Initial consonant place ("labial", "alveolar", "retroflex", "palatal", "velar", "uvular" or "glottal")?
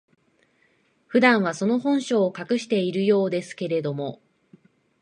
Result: labial